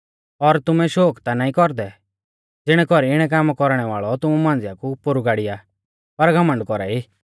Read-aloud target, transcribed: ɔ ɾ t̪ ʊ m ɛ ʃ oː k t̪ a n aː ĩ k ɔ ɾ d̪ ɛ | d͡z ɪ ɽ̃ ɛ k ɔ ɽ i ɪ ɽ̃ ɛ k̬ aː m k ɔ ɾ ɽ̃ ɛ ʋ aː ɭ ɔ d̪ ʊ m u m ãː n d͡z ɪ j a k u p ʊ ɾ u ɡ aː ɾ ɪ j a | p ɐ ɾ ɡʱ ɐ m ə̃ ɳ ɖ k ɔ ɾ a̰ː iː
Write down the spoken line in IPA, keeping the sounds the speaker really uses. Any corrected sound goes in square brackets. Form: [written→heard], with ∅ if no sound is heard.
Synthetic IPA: ɔ ɾ t̪ ʊ m ɛ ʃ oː k t̪ a n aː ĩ k ɔ ɾ d̪ ɛ | d͡z ɪ ɽ̃ ɛ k ɔ [ɽ→ɾ] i ɪ ɽ̃ ɛ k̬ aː m k ɔ ɾ ɽ̃ ɛ ʋ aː ɭ ɔ [d̪→t̪] ʊ m u m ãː n d͡z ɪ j a k u p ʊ ɾ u ɡ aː [ɾ→ɽ] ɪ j a | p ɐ ɾ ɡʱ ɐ m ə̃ ɳ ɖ k ɔ ɾ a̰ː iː